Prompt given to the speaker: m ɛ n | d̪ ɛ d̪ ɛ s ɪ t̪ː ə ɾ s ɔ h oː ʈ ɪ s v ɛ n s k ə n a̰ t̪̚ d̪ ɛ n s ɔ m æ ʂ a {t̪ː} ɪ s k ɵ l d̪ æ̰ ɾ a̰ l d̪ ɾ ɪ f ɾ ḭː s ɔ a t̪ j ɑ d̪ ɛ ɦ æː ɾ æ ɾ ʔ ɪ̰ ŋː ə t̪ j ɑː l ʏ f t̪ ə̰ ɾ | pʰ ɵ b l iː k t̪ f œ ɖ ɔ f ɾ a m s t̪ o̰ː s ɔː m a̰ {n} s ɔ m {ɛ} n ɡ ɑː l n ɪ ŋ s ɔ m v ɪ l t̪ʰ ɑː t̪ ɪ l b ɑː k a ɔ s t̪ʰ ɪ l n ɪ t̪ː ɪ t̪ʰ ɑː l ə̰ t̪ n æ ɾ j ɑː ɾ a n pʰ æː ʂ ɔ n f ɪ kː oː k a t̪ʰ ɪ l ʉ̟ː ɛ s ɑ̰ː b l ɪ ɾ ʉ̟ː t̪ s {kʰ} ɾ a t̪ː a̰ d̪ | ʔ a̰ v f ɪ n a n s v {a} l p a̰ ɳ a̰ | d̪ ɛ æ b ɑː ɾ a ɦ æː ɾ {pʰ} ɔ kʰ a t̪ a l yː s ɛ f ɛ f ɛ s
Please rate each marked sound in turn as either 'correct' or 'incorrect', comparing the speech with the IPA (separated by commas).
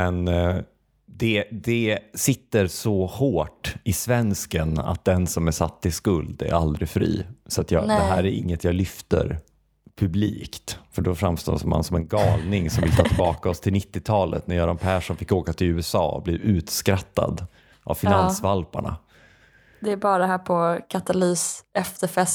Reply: correct, correct, correct, incorrect, correct, correct